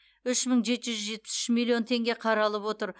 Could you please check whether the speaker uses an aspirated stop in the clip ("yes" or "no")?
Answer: yes